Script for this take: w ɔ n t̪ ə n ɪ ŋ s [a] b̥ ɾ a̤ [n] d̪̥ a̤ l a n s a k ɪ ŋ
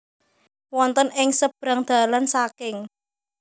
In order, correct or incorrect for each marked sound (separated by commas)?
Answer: incorrect, incorrect